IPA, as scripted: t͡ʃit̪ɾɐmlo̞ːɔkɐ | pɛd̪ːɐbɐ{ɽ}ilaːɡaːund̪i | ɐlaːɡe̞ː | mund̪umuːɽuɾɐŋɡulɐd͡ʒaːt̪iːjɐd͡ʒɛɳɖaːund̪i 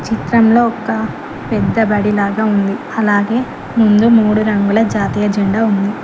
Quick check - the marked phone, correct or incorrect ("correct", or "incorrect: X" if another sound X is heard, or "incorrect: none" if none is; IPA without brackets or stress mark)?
correct